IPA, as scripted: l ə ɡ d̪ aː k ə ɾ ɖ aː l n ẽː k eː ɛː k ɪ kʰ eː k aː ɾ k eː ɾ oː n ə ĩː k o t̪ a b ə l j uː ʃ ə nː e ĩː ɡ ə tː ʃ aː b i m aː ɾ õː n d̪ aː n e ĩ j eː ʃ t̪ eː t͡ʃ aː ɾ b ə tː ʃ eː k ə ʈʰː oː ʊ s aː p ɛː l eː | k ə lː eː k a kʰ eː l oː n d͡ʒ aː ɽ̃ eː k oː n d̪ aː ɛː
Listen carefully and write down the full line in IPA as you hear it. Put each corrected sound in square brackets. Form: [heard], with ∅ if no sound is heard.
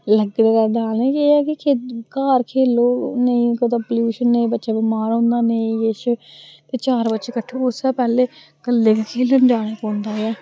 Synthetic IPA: l ə ɡ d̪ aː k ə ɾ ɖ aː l n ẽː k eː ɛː k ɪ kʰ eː k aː ɾ [kʰ] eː [l] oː n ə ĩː k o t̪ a [p] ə l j uː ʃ ə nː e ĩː [b] ə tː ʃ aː b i m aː ɾ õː n d̪ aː n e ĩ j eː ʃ t̪ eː t͡ʃ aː ɾ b ə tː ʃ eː k ə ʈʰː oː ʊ s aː p ɛː l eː | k ə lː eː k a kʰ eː l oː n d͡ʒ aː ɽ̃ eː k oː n d̪ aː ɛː